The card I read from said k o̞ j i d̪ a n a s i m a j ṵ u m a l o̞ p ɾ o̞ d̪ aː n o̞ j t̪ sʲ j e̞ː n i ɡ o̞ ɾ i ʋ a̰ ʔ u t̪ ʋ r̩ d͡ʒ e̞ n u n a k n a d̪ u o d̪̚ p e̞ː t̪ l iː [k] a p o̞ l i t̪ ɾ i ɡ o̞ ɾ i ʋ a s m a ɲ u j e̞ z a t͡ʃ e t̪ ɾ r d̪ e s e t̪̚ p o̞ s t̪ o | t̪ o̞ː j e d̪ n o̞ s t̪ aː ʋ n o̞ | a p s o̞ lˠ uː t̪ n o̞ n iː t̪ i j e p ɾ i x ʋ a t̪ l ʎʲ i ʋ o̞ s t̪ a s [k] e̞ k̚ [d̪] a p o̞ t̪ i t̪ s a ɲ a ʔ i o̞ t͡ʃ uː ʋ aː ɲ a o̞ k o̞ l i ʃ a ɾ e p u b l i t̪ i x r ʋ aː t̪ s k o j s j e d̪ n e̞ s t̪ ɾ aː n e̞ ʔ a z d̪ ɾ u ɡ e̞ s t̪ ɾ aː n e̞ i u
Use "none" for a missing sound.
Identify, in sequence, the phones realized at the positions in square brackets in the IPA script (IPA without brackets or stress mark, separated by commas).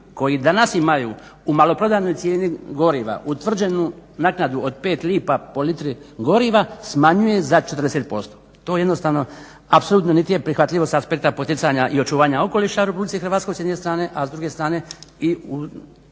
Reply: p, p, t̪